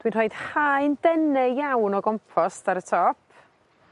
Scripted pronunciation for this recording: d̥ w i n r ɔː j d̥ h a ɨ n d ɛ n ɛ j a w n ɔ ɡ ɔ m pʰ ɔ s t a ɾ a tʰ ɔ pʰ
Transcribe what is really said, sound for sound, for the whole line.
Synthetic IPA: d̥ w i n r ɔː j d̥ h a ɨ n d ɛ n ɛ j a w n ɔ ɡ ɔ m pʰ ɔ s t a ɾ ə tʰ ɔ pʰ